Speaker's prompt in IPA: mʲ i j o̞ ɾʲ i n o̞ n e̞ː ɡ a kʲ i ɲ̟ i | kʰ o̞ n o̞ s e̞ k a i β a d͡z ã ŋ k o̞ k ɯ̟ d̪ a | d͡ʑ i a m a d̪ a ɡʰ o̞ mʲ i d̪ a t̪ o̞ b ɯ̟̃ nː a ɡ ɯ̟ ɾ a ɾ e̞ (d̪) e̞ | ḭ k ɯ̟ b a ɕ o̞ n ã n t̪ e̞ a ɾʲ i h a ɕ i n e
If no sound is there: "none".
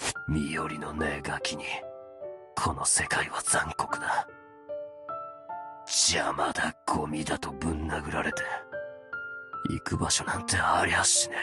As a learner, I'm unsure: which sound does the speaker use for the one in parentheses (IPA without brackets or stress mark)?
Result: t̪